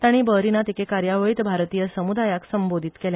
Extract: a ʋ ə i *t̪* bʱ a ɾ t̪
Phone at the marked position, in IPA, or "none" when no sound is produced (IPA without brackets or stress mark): t̪